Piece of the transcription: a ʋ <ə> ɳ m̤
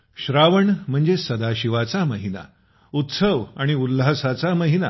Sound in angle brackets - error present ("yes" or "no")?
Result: no